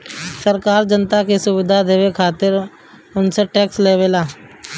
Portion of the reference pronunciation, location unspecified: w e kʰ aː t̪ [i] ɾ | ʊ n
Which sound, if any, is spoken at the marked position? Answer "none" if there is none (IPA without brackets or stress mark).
ɪ